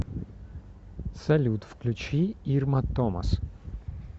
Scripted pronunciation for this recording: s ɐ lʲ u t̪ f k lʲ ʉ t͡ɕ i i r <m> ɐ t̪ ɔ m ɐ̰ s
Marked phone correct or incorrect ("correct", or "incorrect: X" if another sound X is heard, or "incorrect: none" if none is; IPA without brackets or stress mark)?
correct